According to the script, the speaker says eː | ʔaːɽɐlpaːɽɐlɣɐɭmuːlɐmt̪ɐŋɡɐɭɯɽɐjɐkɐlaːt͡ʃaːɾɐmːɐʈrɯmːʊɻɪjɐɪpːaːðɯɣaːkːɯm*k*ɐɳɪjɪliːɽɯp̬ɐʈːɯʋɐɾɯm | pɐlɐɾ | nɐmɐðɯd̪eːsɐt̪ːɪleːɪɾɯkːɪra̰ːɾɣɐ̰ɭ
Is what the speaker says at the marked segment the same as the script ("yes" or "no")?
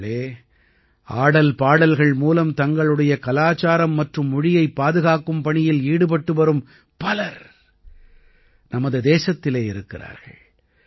no